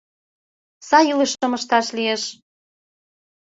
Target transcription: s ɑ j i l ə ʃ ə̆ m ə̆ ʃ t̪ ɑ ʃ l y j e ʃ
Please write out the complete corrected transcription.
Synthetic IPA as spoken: s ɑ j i l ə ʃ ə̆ m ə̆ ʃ t̪ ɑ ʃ l i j e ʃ